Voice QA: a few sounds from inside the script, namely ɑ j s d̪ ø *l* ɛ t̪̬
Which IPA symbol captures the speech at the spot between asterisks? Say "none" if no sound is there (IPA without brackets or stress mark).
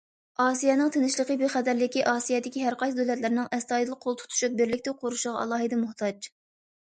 l